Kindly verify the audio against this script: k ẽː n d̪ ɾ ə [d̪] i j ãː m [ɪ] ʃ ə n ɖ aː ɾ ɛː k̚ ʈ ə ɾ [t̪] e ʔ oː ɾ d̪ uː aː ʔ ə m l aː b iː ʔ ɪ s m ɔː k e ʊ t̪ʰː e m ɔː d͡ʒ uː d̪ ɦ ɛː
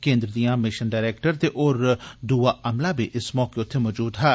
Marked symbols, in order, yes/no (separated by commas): yes, yes, yes